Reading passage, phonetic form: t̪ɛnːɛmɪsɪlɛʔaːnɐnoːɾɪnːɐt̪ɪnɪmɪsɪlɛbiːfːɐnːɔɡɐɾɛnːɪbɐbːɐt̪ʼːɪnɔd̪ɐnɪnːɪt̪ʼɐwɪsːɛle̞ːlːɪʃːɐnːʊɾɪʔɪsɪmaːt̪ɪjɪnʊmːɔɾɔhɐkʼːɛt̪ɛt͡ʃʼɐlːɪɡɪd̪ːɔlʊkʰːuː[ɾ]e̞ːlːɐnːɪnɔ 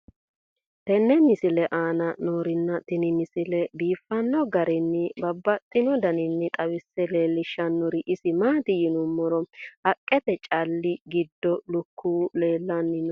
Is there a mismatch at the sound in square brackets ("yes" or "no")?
yes